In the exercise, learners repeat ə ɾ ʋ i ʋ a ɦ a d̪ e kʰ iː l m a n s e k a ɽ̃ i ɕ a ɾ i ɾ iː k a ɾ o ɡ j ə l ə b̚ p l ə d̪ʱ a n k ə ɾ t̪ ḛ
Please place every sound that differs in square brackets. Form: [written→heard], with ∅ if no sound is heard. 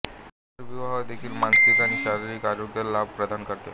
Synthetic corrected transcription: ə ɾ ʋ i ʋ a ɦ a d̪ e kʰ iː l m a n s [e→i] k a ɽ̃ i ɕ a ɾ i ɾ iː k a ɾ o ɡ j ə l [ə→a] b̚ p [l→ɾ] ə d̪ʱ a n k ə ɾ t̪ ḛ